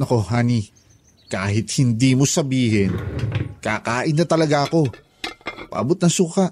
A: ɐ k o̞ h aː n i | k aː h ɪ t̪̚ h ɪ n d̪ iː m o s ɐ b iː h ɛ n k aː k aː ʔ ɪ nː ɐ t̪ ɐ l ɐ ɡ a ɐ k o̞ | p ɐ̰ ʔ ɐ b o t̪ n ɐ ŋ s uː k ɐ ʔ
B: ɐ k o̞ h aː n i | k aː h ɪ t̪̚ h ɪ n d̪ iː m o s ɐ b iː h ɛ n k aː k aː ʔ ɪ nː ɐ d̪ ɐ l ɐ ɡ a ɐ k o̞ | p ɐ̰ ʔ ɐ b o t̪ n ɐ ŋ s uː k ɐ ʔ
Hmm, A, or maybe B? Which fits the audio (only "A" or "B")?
A